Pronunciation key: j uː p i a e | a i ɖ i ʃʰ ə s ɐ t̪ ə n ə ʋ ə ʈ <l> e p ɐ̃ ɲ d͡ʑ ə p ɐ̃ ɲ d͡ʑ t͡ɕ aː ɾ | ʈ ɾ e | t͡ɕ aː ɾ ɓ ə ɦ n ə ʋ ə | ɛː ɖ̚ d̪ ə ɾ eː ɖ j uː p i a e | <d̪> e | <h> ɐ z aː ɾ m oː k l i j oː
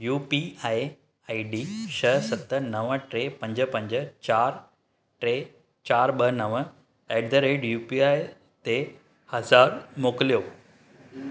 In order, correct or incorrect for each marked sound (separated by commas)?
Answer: incorrect, incorrect, correct